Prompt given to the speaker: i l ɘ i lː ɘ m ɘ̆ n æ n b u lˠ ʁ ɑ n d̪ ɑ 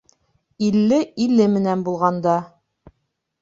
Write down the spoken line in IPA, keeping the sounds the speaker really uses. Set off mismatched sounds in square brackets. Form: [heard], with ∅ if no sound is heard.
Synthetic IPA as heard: i [lː] ɘ i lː ɘ m ɘ̆ n æ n b u lˠ ʁ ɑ n d̪ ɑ